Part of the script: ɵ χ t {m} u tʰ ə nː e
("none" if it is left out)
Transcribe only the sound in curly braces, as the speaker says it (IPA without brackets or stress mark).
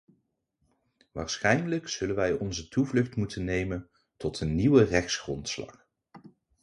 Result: m